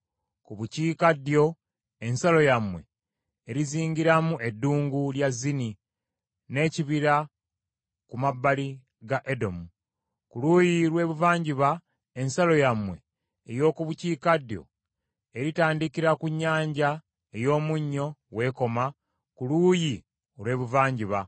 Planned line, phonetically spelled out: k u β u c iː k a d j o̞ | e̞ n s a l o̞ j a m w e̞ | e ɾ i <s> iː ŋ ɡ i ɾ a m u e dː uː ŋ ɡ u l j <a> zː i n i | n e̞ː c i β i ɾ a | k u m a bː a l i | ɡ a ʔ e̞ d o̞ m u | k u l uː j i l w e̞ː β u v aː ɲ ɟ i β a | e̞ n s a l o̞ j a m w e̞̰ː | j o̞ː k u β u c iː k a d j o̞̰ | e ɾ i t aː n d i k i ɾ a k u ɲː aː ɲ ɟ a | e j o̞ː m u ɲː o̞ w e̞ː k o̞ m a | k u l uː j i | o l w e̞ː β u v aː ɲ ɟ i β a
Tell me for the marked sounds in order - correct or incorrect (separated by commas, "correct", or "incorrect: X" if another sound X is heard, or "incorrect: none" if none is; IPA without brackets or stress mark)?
incorrect: z, correct